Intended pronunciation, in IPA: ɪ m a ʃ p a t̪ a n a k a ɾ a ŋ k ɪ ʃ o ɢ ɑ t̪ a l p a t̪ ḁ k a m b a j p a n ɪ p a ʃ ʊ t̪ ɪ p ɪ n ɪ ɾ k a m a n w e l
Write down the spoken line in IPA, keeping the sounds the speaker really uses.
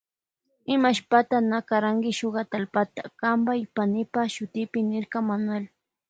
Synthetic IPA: ɪ m a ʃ p a t̪ a n a k a ɾ a ŋ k ɪ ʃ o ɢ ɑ t̪ a l p a t̪ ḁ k a m b a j p a n ɪ p a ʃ ʊ t̪ ɪ p ɪ n ɪ ɾ k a m a n w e l